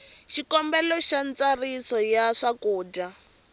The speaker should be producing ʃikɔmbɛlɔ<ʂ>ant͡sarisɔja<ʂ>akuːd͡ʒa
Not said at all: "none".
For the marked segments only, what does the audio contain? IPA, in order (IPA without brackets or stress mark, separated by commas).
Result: ʃ, ʂ